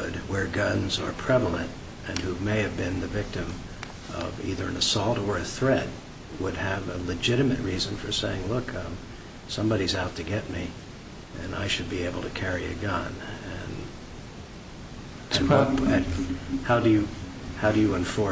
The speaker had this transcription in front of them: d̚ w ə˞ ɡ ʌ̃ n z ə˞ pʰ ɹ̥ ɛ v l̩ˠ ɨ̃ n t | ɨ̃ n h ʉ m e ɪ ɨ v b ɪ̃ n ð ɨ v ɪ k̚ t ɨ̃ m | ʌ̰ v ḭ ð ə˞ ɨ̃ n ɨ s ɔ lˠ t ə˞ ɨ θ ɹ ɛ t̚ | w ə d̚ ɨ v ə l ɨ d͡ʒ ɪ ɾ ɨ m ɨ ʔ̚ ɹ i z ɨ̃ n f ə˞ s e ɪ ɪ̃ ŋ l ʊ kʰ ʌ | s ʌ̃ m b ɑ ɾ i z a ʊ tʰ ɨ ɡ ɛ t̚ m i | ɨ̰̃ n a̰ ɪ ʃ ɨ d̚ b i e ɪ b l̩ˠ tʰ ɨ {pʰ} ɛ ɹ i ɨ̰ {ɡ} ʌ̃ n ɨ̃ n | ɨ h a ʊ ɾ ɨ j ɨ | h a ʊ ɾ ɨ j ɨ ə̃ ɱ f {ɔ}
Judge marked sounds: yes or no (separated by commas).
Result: no, yes, yes